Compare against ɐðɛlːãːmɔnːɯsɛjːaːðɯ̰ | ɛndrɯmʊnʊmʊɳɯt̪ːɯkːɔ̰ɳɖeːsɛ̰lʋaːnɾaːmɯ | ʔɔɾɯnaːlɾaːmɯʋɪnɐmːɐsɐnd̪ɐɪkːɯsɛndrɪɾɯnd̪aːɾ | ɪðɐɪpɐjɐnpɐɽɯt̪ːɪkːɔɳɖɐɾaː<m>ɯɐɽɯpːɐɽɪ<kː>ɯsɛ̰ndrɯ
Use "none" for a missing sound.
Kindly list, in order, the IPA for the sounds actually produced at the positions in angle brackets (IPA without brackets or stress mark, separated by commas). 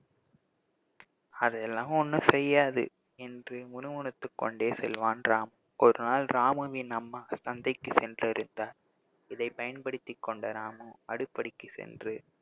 m, kː